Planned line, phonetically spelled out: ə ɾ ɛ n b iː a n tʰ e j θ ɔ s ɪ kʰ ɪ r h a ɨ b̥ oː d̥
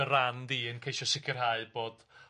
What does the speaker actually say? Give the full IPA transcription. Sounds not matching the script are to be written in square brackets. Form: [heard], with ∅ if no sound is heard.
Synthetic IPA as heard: ə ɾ [a] n [d] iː [ə] n [kʰ] e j [ʃ] ɔ s ɪ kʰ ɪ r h a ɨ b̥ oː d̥

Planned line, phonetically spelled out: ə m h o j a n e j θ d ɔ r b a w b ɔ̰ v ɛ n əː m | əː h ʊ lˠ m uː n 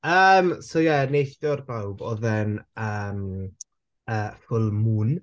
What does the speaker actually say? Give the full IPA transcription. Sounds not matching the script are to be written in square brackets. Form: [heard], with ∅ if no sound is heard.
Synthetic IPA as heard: ə m [s] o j [ɛ] n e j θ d ɔ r b a w b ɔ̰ [ð] ɛ n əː m | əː [f] ʊ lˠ m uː n

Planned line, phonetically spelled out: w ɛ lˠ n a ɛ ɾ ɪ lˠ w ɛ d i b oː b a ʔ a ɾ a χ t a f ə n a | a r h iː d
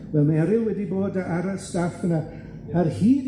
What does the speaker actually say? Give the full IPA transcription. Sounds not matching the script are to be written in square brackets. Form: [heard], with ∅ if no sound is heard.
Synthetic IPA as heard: [v] ɛ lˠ [m] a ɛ ɾ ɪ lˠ w ɛ d i b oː [d] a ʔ a ɾ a [s] t a f ə n a | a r h iː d

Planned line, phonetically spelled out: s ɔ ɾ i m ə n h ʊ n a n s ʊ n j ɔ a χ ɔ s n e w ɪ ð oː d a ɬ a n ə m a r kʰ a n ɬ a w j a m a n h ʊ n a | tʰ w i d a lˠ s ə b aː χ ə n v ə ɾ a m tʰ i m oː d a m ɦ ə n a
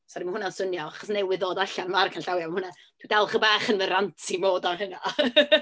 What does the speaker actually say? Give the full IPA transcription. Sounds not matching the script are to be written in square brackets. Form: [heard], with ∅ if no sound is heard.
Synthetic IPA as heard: s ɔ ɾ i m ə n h ʊ n a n s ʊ n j ɔ a χ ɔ s n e w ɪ ð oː d a ɬ a n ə m a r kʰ a n ɬ a w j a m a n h ʊ n a | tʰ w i d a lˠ [χ] ə b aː χ ə n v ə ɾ a [n] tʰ i m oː d a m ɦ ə n a

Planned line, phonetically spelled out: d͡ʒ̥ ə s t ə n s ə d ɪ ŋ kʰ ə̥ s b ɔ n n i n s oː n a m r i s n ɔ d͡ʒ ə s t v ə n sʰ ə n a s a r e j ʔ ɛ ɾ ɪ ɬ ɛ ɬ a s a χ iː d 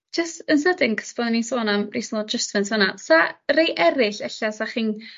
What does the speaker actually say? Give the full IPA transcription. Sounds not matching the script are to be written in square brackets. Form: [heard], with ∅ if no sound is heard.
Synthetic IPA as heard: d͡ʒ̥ ə s t ə n s ə d ɪ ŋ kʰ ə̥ s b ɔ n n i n s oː n a m r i s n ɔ d͡ʒ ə s t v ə n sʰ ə n a s a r e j ʔ ɛ ɾ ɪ ɬ ɛ ɬ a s a χ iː [n]

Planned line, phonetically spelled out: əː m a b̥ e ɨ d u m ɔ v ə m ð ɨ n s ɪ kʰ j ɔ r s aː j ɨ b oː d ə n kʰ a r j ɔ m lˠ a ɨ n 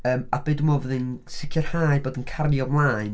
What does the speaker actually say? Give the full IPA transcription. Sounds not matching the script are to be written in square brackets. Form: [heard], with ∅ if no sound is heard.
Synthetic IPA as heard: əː m a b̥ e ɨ d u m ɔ v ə [∅] ð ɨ n s ɪ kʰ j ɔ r [h] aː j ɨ b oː d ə n kʰ a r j ɔ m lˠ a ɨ n

